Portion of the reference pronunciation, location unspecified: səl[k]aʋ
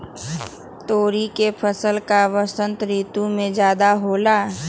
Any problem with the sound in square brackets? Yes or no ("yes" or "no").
no